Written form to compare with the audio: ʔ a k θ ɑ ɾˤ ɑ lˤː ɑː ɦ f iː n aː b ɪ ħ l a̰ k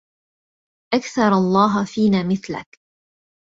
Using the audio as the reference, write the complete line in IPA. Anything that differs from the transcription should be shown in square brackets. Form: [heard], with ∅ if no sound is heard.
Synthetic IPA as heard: ʔ a k θ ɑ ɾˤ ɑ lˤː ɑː ɦ f iː n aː [m] ɪ [θ] l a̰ k